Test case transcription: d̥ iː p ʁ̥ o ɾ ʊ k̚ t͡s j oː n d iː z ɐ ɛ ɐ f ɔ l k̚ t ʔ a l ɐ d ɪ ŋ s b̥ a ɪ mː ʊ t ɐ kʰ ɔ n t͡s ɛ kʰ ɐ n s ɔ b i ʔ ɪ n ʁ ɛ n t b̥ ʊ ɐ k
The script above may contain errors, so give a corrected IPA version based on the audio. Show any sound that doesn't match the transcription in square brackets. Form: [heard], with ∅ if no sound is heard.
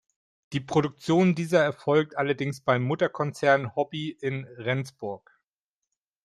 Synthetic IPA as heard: d̥ iː p ʁ̥ o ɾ ʊ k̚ t͡s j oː n d iː z ɐ ɛ ɐ f ɔ l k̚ t ʔ a l ɐ d ɪ ŋ s b̥ a ɪ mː ʊ t ɐ kʰ ɔ n t͡s ɛ [∅] ɐ n [h] ɔ b i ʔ ɪ n ʁ ɛ n [t͡s] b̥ ʊ ɐ k